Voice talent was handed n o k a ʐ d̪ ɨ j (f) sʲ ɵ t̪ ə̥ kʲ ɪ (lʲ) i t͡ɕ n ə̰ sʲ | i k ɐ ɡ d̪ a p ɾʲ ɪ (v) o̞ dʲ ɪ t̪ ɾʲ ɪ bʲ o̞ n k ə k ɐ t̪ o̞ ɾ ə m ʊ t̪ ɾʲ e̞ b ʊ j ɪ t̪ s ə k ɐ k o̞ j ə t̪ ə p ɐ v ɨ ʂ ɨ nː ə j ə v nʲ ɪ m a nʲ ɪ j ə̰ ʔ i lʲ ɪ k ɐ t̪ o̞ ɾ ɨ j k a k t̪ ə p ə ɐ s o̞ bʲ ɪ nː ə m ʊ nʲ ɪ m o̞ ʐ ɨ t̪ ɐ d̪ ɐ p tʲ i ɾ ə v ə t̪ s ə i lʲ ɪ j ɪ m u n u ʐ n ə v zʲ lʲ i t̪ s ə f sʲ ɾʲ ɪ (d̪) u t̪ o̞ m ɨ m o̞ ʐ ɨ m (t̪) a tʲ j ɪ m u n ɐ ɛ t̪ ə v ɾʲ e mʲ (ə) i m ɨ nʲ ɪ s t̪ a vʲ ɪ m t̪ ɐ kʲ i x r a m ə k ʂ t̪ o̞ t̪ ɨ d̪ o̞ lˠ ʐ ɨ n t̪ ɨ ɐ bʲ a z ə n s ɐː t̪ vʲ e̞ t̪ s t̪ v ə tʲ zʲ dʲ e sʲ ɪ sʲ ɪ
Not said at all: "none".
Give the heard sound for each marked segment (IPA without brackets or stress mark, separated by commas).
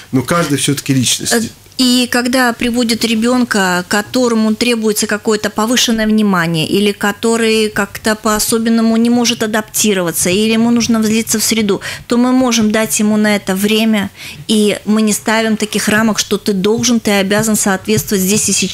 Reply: f, lʲ, v, d̪, d̪, ə